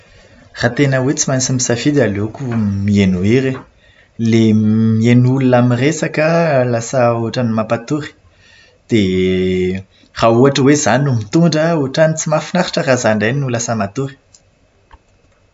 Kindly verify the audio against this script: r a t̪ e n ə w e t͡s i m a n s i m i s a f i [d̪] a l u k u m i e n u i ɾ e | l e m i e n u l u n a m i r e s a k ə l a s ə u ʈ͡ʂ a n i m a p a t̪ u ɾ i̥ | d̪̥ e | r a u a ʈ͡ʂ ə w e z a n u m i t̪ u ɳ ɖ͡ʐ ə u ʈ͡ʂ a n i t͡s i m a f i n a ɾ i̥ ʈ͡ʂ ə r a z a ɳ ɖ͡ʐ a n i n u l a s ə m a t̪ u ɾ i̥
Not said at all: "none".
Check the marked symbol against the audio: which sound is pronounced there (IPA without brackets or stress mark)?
d̪